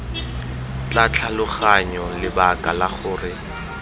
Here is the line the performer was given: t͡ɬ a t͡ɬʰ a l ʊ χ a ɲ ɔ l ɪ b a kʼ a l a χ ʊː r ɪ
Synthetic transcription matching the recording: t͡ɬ a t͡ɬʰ a l ʊ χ a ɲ ɔ l ɪ b a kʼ a l a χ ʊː r ɪ